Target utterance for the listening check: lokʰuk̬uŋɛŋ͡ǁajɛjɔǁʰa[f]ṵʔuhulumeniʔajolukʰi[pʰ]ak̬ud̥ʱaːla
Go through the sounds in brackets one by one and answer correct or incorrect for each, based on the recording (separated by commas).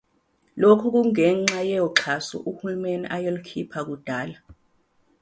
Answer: incorrect, correct